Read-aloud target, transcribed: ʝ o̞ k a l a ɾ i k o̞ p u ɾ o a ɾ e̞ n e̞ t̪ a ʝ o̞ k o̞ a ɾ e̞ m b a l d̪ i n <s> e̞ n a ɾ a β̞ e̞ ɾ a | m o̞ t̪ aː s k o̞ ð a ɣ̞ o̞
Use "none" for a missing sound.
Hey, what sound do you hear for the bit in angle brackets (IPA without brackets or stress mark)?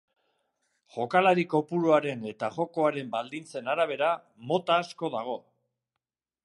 t͡s